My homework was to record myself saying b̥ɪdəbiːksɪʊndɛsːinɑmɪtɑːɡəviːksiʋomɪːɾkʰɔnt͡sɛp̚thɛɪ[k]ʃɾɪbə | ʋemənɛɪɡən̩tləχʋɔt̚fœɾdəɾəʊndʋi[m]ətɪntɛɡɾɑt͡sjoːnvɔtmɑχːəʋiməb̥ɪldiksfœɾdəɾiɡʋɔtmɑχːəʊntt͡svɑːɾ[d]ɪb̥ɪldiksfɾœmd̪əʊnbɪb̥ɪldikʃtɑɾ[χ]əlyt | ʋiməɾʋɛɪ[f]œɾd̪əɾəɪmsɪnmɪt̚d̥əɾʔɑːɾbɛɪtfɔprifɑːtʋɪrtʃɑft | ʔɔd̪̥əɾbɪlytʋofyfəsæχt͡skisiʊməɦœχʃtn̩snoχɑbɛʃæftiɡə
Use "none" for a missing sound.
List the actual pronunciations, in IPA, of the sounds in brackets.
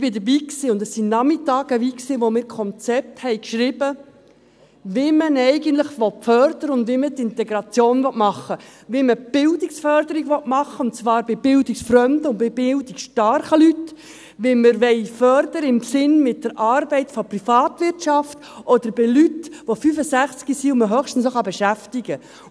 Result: k, m, b, χ, f

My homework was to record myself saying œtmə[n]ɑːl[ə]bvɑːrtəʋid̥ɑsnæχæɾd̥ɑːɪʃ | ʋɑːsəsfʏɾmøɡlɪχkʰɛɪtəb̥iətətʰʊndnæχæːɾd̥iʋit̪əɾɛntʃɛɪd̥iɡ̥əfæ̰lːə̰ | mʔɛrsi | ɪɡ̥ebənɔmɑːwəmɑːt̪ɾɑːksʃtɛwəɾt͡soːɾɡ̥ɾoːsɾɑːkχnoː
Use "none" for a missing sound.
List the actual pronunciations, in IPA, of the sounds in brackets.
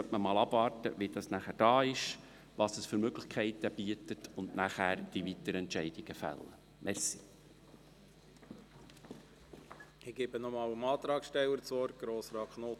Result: m, ɑ

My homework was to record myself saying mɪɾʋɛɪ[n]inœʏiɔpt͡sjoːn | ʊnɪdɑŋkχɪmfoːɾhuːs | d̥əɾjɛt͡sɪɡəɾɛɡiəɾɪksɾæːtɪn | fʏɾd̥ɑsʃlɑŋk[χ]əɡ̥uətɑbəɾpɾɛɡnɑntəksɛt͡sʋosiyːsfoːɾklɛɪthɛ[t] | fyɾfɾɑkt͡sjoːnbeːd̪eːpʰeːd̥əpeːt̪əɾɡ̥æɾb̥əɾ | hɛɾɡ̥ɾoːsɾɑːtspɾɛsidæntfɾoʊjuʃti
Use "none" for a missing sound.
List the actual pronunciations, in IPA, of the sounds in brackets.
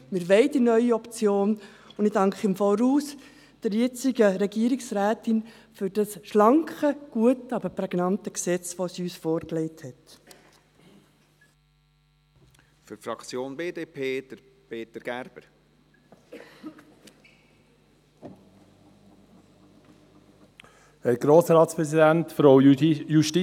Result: d, χ, t

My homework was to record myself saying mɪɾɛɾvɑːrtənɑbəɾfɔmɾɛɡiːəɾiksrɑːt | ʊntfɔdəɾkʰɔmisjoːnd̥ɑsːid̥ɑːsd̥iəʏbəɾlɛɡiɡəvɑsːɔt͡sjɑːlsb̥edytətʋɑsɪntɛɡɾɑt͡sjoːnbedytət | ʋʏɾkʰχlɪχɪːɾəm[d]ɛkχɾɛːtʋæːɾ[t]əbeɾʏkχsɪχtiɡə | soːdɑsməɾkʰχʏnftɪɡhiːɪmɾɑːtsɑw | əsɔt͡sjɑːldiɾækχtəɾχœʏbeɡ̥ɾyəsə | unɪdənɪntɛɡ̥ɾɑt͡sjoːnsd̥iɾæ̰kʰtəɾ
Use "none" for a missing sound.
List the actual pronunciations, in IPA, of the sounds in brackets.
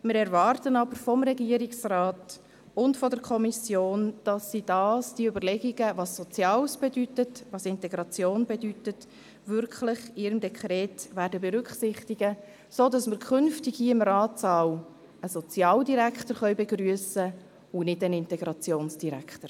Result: d, d

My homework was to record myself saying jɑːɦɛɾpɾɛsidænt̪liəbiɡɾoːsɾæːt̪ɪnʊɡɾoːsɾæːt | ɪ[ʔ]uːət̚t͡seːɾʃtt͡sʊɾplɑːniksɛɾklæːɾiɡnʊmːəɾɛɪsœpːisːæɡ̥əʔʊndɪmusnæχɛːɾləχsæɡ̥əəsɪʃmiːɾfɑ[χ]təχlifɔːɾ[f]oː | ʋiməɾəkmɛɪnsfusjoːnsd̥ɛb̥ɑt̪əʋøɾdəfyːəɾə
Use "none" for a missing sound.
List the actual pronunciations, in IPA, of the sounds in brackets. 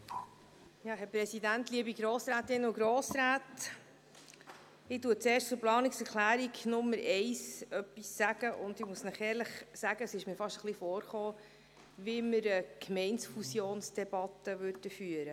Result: t, ʃ, χ

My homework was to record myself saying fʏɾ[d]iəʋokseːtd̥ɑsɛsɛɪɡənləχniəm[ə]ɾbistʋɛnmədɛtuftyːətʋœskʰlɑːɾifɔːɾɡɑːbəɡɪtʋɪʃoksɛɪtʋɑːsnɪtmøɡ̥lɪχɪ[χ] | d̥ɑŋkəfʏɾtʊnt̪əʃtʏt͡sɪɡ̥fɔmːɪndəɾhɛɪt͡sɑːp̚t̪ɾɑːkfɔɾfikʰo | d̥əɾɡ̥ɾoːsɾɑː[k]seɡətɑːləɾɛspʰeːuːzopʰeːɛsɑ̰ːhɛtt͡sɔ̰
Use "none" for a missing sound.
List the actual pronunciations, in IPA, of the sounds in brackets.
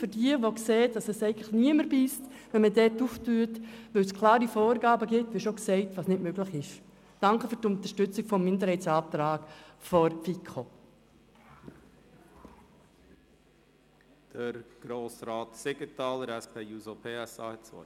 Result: d, ə, ʃ, t

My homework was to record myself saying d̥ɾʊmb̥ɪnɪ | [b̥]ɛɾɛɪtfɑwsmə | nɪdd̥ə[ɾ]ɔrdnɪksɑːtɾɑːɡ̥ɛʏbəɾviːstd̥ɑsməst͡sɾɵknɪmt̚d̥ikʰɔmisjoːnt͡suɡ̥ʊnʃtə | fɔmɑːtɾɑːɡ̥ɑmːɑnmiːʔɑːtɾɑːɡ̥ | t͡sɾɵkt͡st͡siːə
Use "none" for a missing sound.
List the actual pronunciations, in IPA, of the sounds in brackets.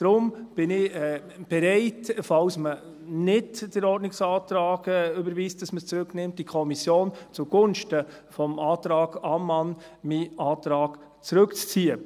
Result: b̥, ɾ

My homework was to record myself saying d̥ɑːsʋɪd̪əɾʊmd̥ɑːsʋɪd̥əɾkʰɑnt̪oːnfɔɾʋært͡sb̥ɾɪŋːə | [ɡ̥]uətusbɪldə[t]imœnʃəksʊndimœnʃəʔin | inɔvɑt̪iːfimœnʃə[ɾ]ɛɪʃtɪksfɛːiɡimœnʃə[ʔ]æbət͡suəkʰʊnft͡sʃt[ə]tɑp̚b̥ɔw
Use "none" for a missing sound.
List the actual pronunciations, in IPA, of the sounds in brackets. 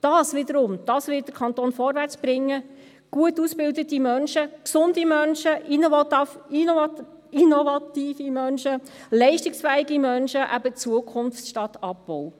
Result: ɡ̥, t, l, ʔ, ɑ

